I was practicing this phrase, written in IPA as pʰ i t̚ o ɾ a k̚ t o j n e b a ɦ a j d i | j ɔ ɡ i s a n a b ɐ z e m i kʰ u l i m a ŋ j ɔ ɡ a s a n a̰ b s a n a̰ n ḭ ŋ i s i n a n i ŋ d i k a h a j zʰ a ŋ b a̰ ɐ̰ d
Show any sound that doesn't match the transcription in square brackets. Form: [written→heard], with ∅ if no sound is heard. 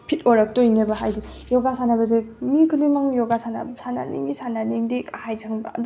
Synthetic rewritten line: pʰ i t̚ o ɾ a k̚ t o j n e b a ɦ a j d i | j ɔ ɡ [i→a] s a n a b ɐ z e m i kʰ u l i m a ŋ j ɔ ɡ a s a n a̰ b s a n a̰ n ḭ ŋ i s [i→a] n a n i ŋ d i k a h a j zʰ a ŋ b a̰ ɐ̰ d

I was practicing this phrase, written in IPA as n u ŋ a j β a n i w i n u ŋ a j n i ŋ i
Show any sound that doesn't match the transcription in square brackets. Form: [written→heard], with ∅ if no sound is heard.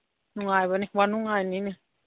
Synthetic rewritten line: n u ŋ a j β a n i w [i→a] n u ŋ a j n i [ŋ→n] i

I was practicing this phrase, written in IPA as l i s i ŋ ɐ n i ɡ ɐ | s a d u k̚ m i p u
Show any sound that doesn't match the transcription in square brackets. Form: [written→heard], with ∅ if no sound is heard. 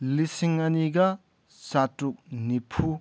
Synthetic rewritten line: l i s i ŋ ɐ n i ɡ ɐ | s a [d→t] u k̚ [m→n] i [p→pʰ] u

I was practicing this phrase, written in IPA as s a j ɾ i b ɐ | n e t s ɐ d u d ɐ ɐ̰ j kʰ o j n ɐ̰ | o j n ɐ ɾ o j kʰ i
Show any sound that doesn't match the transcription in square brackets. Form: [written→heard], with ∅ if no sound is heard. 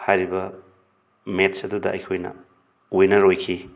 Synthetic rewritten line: [s→h] a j ɾ i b ɐ | [n→m] e t s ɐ d u d ɐ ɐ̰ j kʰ o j n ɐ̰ | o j n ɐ ɾ o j kʰ i

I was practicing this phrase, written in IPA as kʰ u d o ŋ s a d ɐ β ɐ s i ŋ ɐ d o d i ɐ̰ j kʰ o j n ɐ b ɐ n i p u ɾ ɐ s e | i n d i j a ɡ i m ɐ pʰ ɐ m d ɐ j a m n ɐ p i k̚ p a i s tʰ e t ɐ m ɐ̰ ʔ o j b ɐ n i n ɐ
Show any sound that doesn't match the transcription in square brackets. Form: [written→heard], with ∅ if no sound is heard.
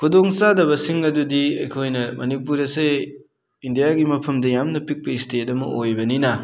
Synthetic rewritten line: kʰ u d o ŋ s a d ɐ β ɐ s i ŋ ɐ d [o→u] d i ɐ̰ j kʰ o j n ɐ [b→m] ɐ n i p u ɾ ɐ s e | i n d i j a ɡ i m ɐ pʰ ɐ m d ɐ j a m n ɐ p i k̚ p [a→ɐ] i s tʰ e t ɐ m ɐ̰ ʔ o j b ɐ n i n ɐ

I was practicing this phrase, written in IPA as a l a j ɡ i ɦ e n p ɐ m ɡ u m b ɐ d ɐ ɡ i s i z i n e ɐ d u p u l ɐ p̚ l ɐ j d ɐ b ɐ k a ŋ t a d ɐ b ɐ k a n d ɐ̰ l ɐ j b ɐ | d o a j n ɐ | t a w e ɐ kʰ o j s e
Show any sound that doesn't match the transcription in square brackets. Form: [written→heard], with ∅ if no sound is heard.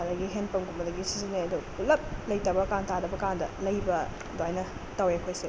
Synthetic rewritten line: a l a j ɡ i ɦ e n p ɐ m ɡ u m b ɐ d ɐ ɡ i s i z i n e ɐ d u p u l ɐ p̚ l ɐ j [d→t] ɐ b ɐ k a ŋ t a d ɐ b ɐ k a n d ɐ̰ l ɐ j b ɐ | d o a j n ɐ | t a w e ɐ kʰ o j s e

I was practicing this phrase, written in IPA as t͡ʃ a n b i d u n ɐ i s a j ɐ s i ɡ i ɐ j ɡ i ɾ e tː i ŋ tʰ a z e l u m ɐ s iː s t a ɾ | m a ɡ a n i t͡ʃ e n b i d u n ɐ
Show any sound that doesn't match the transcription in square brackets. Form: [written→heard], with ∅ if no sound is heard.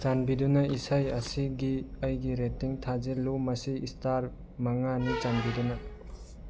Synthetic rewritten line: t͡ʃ a n b i d u n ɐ i s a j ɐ s i ɡ i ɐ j ɡ i ɾ e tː i ŋ tʰ a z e l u m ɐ s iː s t a ɾ | m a [ɡ→ŋ] a n i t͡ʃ [e→a] n b i d u n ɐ

